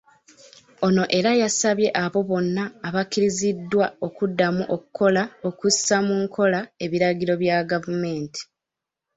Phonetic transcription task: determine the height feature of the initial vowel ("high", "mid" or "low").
mid